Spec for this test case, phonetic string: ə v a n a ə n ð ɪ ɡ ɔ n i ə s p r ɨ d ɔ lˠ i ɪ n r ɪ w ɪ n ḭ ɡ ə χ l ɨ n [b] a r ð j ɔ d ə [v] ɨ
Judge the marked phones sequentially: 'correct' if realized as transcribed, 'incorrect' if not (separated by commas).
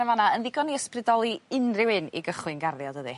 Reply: incorrect, incorrect